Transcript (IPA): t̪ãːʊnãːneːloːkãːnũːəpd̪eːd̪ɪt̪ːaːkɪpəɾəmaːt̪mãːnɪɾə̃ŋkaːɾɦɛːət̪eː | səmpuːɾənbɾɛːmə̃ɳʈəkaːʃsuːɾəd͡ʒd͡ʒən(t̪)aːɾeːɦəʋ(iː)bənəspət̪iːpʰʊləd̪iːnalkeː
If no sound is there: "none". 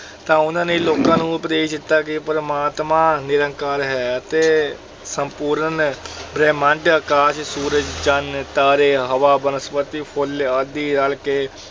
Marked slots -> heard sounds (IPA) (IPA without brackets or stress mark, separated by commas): t̪, aː